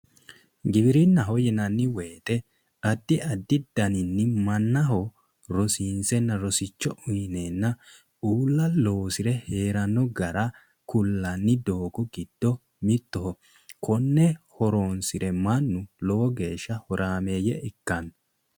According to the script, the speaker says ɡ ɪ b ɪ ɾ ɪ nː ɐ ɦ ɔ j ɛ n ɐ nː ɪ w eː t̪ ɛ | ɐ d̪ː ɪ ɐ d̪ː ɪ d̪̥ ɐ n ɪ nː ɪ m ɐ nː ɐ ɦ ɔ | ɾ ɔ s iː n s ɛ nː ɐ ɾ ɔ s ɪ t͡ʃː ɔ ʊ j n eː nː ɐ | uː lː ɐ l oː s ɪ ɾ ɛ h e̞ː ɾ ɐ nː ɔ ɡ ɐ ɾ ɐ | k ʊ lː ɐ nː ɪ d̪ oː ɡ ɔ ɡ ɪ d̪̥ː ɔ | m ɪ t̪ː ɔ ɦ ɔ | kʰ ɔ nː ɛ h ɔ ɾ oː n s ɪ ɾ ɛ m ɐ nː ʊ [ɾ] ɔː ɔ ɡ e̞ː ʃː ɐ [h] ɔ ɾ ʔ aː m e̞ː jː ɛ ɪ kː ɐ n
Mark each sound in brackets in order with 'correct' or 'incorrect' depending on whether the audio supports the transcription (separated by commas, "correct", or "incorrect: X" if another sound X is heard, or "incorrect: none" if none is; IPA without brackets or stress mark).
incorrect: l, correct